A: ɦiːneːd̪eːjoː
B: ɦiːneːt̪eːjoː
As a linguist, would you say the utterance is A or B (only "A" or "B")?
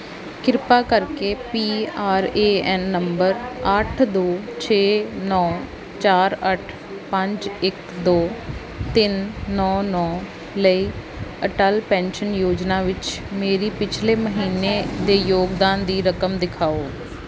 A